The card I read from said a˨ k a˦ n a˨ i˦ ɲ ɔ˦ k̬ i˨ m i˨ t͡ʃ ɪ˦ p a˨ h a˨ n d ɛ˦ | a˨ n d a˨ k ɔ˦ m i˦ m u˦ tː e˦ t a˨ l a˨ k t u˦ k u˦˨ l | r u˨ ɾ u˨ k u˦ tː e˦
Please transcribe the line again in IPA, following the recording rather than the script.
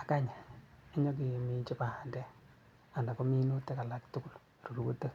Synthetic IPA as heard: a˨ k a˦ ɲ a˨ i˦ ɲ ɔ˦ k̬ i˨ m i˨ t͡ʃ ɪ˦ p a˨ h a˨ n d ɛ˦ | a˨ n d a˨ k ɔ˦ m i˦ n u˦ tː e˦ k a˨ l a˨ k t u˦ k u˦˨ l | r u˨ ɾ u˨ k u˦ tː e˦